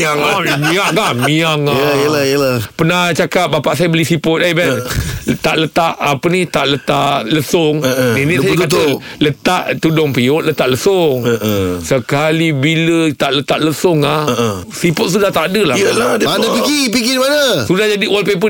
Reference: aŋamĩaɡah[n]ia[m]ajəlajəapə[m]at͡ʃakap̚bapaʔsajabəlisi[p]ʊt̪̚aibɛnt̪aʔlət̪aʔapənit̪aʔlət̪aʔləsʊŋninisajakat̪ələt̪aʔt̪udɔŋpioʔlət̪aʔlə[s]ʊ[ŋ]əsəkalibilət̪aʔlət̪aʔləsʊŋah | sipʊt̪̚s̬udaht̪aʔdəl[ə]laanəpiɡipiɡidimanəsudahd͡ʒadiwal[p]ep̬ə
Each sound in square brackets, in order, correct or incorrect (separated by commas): incorrect, incorrect, incorrect, correct, correct, correct, incorrect, correct